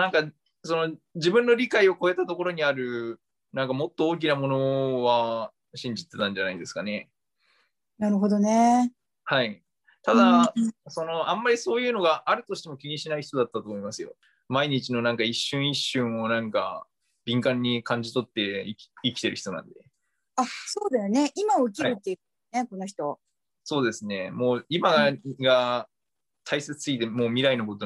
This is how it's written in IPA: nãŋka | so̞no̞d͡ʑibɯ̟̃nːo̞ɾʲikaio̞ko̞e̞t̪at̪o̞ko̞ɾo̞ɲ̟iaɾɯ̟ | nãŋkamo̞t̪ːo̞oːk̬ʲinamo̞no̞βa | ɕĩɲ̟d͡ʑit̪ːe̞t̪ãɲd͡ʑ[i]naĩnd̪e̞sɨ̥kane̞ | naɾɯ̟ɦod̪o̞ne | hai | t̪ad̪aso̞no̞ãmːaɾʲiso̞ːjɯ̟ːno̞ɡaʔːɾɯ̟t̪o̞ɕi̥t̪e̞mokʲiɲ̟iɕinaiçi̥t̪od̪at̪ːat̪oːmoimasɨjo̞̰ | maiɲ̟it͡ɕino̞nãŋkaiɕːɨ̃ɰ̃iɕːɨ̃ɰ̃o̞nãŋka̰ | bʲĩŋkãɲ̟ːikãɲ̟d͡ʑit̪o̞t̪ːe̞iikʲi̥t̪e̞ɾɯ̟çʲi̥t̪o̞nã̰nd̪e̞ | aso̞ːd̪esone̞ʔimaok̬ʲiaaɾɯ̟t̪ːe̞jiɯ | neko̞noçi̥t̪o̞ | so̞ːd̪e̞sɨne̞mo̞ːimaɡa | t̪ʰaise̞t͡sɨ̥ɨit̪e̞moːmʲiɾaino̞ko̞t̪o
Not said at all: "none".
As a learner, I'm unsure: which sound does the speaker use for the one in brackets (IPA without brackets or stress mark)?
a